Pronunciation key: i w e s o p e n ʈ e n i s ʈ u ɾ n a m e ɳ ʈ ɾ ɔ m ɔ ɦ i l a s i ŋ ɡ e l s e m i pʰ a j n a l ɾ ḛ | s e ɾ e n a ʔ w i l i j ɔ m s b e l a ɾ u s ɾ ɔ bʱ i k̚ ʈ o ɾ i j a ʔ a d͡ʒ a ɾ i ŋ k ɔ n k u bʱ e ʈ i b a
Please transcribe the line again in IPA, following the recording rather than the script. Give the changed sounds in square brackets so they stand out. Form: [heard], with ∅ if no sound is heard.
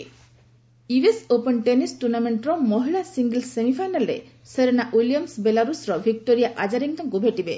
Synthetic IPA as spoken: i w e s o p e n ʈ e n i s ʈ u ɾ n a m e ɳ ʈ ɾ ɔ m ɔ ɦ i l a s i ŋ ɡ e l s e m i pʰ a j n a l ɾ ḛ | s e ɾ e n a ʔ w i l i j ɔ m s b e l a ɾ u s ɾ ɔ bʱ i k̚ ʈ o ɾ i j a ʔ a d͡ʒ a ɾ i ŋ k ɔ [ŋ] k u bʱ e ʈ i b [e]